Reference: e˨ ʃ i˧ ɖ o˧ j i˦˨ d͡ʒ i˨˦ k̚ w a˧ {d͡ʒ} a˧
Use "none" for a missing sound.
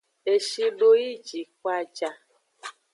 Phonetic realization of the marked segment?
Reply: d͡ʒ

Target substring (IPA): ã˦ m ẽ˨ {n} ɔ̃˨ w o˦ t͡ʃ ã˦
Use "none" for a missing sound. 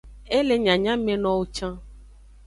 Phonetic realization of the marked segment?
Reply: n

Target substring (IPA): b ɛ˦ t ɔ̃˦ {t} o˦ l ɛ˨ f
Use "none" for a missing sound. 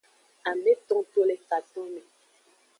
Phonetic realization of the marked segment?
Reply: t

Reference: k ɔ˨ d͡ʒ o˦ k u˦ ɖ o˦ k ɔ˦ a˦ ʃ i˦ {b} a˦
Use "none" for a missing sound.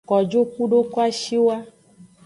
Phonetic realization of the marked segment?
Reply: w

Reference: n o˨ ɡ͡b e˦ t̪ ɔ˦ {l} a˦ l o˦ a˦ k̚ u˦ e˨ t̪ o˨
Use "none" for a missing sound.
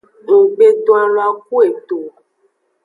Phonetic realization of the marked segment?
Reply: none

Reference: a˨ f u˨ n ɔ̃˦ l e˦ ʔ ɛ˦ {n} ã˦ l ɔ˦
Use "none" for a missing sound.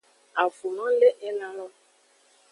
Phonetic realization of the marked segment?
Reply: n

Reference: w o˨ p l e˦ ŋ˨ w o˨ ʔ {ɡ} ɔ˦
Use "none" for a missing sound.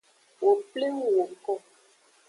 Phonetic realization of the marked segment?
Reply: k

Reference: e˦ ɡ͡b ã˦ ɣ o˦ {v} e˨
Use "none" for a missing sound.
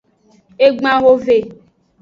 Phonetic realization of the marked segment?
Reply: v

